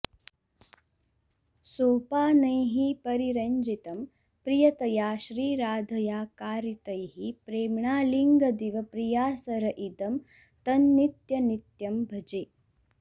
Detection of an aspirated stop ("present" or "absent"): absent